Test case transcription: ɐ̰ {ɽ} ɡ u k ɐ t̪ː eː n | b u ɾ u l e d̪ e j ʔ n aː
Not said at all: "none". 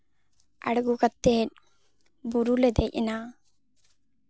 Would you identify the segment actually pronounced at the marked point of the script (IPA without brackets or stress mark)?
ɽ